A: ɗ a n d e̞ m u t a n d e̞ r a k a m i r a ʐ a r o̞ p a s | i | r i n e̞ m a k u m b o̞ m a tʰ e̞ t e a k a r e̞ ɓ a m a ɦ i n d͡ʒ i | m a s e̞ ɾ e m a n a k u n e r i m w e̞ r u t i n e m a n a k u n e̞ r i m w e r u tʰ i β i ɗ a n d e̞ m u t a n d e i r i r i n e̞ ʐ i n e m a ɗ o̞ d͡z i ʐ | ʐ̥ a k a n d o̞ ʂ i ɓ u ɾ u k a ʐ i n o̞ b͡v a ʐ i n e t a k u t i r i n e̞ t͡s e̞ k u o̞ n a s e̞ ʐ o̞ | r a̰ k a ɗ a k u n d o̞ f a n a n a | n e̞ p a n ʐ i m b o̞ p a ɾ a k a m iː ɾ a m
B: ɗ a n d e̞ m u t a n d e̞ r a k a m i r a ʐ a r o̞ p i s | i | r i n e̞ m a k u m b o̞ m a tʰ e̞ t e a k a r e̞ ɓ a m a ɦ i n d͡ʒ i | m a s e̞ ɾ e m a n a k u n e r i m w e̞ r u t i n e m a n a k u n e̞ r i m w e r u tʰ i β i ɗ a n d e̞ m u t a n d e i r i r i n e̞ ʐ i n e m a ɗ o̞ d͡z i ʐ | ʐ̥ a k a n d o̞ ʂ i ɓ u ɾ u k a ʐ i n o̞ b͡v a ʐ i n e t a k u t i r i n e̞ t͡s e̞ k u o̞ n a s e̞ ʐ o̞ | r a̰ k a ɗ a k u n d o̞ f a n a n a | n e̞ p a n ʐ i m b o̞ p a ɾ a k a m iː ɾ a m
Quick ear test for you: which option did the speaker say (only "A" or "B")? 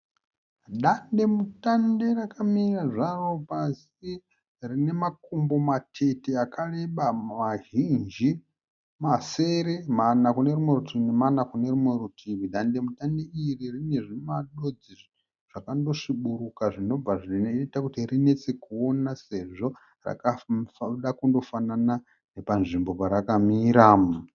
A